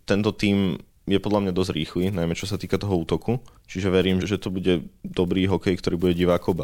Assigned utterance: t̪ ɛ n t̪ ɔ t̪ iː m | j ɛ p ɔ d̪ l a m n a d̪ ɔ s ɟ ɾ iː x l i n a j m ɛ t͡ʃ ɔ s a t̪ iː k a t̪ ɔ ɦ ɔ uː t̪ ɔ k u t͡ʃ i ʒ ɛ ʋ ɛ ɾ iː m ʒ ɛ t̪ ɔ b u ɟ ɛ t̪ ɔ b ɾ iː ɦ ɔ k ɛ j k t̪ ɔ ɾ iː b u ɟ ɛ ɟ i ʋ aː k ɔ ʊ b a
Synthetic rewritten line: t̪ ɛ n t̪ ɔ t̪ iː m | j ɛ p ɔ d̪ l a m ɲ a d̪ ɔ z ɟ ɾ iː x l i n a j m ɛ t͡ʃ ɔ s a t̪ iː k a t̪ ɔ ɦ ɔ uː t̪ ɔ k u t͡ʃ i ʒ ɛ ʋ ɛ ɾ iː m ʒ ɛ t̪ ɔ b u ɟ ɛ d̪ ɔ b ɾ iː ɦ ɔ k ɛ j k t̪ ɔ ɾ iː b u ɟ ɛ ɟ i ʋ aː k ɔ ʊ b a